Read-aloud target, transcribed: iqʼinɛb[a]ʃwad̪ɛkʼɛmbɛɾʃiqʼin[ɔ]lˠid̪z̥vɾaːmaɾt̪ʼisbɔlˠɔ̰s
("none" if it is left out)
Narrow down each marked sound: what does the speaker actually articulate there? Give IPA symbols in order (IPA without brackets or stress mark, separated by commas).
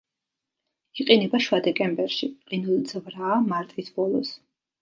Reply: a, u